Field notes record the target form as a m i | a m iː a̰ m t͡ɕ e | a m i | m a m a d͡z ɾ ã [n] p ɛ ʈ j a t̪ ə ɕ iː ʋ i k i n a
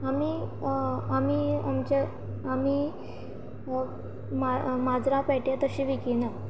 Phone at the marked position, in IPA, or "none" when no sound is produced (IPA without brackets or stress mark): none